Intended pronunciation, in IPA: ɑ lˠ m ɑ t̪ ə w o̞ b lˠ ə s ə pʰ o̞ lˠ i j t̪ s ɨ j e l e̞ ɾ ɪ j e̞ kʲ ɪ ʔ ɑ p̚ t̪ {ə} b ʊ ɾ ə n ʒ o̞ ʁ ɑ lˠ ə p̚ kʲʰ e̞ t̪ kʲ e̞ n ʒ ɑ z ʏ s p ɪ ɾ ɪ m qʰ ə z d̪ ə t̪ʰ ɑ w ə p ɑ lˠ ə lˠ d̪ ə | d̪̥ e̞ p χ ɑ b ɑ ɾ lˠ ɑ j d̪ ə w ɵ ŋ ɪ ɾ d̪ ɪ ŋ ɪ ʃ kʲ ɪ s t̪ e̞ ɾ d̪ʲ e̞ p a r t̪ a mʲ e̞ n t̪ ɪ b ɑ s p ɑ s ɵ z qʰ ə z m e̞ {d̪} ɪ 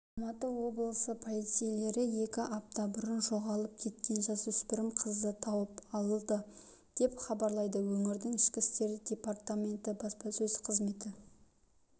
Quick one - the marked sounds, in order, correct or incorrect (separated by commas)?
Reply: incorrect, incorrect